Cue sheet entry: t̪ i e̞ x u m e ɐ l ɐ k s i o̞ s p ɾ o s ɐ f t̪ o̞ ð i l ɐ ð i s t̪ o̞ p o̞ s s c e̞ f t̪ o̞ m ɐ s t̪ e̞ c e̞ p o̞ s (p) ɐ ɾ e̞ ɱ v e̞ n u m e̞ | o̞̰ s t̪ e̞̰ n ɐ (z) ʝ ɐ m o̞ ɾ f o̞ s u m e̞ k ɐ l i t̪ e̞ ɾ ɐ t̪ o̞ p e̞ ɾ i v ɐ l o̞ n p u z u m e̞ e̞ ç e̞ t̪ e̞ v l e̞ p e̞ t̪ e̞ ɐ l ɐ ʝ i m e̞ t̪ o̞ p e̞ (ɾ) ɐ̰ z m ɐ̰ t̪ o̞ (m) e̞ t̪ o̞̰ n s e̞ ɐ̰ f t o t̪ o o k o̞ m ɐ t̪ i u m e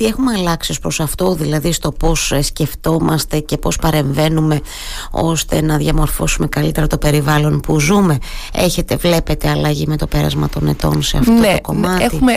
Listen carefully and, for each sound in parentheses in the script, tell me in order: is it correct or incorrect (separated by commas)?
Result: correct, incorrect, correct, incorrect